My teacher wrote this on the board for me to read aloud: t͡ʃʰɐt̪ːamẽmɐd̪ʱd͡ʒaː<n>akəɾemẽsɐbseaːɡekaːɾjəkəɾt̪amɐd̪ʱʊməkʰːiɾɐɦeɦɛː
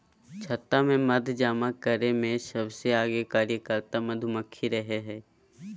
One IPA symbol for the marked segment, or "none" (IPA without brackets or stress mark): m